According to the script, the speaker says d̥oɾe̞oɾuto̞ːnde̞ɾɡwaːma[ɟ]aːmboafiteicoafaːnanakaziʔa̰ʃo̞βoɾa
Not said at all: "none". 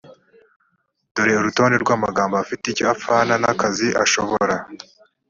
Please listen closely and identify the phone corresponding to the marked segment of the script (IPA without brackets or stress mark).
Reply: ɡ